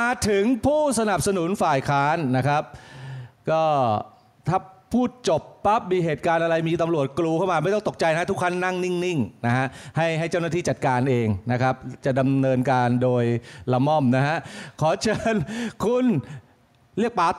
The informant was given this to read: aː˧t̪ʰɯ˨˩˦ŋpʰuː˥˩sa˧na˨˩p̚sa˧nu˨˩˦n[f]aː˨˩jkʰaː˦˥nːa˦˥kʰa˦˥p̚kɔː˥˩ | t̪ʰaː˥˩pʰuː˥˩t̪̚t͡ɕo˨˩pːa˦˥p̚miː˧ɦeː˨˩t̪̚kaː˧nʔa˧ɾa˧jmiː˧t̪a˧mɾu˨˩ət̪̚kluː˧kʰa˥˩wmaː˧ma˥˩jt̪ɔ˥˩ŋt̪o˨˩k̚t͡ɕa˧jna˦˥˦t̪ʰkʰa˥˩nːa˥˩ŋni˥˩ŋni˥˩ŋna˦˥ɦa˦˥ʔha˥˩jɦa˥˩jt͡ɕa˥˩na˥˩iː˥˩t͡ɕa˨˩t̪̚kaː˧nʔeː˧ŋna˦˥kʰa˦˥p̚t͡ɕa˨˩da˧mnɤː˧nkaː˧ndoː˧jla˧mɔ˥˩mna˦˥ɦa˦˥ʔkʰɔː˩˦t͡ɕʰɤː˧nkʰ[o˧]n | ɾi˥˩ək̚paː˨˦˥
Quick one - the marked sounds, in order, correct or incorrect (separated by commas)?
correct, incorrect